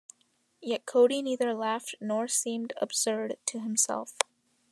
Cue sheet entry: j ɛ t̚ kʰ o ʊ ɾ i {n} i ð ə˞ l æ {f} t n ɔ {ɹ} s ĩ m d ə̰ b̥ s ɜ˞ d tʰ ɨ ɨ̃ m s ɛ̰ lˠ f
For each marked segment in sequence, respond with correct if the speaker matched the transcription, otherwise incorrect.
correct, correct, correct

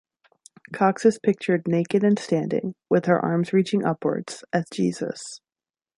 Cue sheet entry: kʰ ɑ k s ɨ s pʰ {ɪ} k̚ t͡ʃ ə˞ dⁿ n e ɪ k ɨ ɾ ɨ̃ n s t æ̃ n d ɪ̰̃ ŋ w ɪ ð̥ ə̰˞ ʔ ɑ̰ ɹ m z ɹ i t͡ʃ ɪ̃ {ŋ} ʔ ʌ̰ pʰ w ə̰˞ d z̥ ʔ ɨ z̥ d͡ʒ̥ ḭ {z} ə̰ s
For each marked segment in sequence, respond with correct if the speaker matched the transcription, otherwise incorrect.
correct, correct, correct

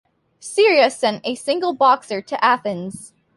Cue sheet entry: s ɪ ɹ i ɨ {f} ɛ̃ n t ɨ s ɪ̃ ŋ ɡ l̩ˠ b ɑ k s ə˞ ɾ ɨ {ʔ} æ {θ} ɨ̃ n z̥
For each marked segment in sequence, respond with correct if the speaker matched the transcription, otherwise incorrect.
incorrect, correct, correct

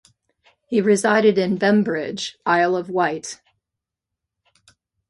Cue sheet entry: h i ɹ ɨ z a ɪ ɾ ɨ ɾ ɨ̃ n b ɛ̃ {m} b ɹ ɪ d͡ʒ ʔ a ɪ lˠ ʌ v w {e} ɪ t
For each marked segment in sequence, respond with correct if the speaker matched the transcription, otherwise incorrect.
correct, incorrect

